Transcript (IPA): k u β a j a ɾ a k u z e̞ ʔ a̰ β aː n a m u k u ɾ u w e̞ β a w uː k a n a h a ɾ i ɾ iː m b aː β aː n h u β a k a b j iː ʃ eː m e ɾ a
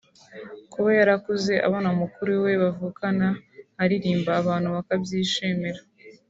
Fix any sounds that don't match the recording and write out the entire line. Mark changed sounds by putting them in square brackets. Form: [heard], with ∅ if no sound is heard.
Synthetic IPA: k u β a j a ɾ a k u z e̞ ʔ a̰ β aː n a m u k u ɾ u w e̞ β a [v] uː k a n a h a ɾ i ɾ iː m b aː β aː n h u β a k a b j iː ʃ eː m e ɾ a